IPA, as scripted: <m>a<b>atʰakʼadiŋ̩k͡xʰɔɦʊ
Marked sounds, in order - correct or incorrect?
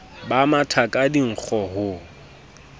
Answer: incorrect, incorrect

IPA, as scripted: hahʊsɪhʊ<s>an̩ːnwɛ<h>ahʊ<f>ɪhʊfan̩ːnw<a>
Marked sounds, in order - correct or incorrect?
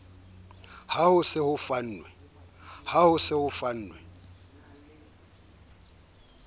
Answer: incorrect, correct, incorrect, incorrect

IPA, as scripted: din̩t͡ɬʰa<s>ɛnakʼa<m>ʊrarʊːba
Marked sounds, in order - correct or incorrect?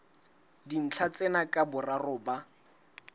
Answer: incorrect, incorrect

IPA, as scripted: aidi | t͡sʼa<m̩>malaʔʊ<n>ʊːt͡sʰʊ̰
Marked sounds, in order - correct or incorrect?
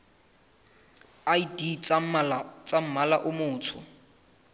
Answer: correct, incorrect

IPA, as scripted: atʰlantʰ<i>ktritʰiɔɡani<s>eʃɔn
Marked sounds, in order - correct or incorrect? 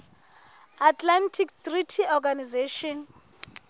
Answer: correct, incorrect

